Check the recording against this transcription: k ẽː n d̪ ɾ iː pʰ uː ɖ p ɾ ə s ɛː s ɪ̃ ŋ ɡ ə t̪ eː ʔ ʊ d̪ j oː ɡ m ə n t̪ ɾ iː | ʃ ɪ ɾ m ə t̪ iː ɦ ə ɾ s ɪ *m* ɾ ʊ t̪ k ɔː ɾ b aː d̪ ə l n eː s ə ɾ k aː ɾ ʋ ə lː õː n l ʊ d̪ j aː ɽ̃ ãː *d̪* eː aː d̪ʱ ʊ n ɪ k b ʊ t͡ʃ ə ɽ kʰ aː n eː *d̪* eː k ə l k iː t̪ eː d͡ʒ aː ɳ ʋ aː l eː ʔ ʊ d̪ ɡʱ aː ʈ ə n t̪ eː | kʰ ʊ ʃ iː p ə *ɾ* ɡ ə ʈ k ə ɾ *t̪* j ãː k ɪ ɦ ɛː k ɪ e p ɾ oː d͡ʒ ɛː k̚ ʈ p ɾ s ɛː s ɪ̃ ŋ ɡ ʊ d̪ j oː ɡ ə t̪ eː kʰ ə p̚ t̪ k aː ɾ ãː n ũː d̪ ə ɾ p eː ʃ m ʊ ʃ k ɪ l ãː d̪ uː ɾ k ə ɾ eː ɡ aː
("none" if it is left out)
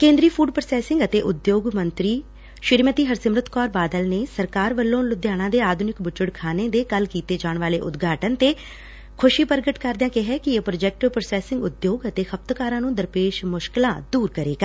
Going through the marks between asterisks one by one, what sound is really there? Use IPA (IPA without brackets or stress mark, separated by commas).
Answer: m, d̪, d̪, ɾ, d̪